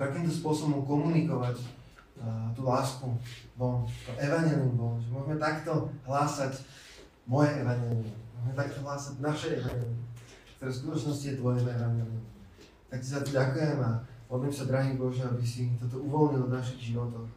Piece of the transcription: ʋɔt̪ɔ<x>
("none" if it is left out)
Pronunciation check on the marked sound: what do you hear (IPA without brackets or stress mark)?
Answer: x